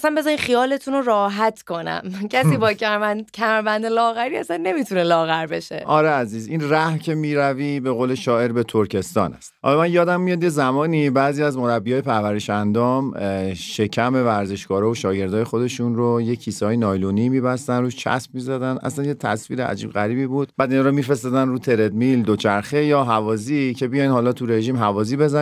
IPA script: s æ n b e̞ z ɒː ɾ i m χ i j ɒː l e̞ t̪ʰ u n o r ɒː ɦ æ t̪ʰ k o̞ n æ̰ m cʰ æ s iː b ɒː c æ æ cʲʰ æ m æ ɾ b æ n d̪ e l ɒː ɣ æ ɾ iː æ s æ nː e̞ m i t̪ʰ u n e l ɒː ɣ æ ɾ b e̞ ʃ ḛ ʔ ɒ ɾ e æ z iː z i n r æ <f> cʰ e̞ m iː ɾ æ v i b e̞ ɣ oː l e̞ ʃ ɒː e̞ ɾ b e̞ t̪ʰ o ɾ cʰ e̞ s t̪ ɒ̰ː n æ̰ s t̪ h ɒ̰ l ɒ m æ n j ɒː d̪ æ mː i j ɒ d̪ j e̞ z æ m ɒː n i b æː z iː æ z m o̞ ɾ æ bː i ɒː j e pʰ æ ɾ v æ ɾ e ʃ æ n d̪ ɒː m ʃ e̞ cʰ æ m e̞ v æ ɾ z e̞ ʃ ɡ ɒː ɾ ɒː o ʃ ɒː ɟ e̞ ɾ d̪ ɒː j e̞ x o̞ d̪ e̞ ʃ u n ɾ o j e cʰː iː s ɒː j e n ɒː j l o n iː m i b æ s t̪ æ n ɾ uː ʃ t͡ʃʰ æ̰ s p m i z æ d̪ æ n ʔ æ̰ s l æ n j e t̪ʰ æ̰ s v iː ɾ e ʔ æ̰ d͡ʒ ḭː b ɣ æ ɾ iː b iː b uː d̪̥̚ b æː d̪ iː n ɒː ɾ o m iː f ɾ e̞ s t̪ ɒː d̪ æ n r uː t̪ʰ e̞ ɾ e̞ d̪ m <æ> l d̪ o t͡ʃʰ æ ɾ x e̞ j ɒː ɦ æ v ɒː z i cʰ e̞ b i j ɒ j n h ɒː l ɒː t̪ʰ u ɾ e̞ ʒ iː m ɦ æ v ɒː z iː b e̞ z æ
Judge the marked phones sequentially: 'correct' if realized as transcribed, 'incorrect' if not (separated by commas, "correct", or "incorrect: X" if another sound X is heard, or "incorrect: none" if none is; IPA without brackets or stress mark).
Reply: incorrect: h, incorrect: i